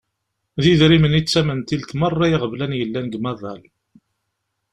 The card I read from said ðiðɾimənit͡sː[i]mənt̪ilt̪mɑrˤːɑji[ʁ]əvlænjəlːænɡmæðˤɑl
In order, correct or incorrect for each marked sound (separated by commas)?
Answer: incorrect, correct